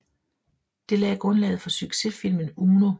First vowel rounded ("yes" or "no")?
no